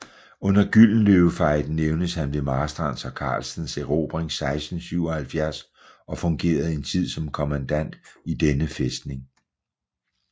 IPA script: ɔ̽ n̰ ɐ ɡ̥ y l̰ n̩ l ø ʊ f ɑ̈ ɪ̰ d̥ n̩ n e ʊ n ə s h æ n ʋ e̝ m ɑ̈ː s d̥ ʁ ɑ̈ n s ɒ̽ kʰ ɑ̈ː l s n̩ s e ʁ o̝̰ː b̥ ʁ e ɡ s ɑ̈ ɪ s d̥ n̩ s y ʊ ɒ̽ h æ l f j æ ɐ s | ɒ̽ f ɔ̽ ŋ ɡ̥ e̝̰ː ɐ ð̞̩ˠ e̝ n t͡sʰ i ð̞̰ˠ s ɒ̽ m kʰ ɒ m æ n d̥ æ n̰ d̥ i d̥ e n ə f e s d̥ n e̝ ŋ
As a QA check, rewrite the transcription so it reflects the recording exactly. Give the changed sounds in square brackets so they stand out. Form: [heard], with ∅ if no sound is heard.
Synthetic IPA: ɔ̽ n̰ ɐ ɡ̥ y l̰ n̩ l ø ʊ f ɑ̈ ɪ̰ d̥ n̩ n e ʊ n ə s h æ n ʋ e̝ m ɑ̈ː s d̥ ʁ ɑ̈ n s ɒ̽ kʰ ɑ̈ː l s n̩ s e ʁ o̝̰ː b̥ ʁ e [ŋ] s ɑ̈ ɪ s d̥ n̩ s y ʊ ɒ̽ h æ l f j æ ɐ s | ɒ̽ f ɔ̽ ŋ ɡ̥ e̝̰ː ɐ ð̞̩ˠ e̝ n t͡sʰ i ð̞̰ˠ s ɒ̽ m kʰ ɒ m æ n d̥ æ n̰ d̥ i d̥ e n ə f e s d̥ n e̝ ŋ

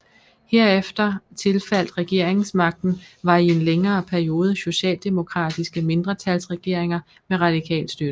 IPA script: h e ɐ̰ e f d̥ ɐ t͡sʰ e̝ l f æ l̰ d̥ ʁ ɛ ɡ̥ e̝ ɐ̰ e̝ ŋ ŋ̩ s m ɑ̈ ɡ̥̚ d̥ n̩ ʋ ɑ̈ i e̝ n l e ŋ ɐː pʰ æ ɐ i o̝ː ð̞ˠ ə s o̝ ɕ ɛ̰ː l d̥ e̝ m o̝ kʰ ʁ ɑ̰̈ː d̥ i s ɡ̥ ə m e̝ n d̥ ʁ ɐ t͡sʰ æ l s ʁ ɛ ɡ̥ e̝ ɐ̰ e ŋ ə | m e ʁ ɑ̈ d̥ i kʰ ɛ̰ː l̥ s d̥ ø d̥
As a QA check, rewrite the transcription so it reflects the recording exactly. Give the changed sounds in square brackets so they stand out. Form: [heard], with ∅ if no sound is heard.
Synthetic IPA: h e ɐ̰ e f d̥ ɐ t͡sʰ e̝ l f æ l̰ d̥ ʁ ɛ ɡ̥ e̝ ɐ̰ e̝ ŋ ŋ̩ s m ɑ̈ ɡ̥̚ d̥ n̩ ʋ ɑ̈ i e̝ n l e ŋ ɐː pʰ æ ɐ i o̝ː ð̞ˠ ə s o̝ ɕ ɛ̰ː l d̥ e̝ m o̝ kʰ ʁ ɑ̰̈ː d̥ i s ɡ̥ ə m e̝ n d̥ ʁ ɐ t͡sʰ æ l s ʁ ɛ ɡ̥ e̝ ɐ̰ e ŋ [ɐ] | m e ʁ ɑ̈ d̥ i kʰ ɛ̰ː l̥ s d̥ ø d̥

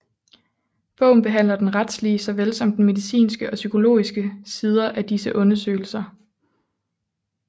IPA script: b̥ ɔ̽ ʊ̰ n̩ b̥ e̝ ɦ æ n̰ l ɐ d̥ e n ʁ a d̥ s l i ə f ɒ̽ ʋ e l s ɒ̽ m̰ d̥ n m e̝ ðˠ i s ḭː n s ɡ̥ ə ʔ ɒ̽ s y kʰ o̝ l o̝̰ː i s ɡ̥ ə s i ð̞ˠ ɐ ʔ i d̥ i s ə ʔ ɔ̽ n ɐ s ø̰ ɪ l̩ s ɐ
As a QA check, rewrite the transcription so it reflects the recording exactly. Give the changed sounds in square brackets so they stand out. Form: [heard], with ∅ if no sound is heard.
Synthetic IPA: b̥ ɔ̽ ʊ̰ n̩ b̥ e̝ ɦ æ n̰ l ɐ d̥ e n ʁ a d̥ s l i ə [s] ɒ̽ ʋ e l s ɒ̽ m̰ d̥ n m e̝ ðˠ i s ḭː n s ɡ̥ ə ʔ ɒ̽ s y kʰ o̝ l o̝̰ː i s ɡ̥ ə s i ð̞ˠ ɐ ʔ [æ] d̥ i s ə ʔ ɔ̽ n ɐ s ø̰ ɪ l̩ s ɐ

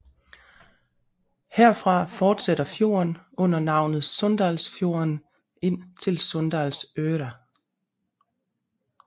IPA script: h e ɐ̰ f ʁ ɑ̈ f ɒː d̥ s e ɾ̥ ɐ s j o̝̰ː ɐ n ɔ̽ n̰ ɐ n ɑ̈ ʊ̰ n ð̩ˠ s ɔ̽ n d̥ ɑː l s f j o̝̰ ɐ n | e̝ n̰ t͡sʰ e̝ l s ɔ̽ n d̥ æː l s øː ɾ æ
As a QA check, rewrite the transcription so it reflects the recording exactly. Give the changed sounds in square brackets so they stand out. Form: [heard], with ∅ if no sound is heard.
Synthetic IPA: h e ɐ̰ f ʁ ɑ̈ f ɒː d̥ s e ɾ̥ ɐ [f] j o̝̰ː ɐ n ɔ̽ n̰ ɐ n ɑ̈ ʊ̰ n ð̩ˠ s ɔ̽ n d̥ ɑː l s f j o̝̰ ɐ n | e̝ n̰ t͡sʰ e̝ l s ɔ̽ n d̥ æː l s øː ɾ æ

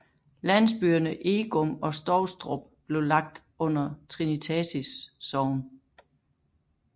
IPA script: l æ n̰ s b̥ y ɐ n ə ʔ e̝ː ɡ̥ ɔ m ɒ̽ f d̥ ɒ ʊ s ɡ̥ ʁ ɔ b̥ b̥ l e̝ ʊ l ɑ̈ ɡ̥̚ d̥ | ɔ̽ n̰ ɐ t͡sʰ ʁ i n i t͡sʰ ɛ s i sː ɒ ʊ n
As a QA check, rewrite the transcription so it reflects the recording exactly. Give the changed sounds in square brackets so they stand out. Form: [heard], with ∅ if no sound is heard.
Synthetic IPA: l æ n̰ s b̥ y ɐ n ə ʔ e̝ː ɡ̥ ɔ m ɒ̽ [s] d̥ ɒ ʊ s [d̥] ʁ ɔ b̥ b̥ l e̝ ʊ l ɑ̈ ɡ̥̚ d̥ | ɔ̽ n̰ ɐ t͡sʰ ʁ i n i t͡sʰ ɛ s i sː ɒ ʊ n

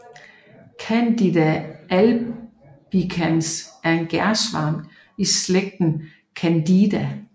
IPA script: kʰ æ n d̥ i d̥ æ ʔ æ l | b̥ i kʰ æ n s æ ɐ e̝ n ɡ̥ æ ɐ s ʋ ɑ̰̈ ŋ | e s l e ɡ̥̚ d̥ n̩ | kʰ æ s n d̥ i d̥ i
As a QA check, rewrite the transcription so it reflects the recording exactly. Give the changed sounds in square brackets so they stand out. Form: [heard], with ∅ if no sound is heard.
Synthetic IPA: kʰ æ n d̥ i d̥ æ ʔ æ l | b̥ i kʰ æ n s æ ɐ e̝ n ɡ̥ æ ɐ s ʋ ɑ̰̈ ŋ | [i] s l e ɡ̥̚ d̥ n̩ | kʰ æ [∅] n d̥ i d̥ [æ]

